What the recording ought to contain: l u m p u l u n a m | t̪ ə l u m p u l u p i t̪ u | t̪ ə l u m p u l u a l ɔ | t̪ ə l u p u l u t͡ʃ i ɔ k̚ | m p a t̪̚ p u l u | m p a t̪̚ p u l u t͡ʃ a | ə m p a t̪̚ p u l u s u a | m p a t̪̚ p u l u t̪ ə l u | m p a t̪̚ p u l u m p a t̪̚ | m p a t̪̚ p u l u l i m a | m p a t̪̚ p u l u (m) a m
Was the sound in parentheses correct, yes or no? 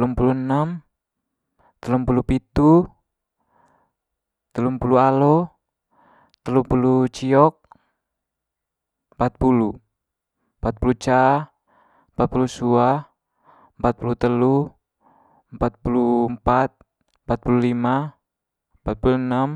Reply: no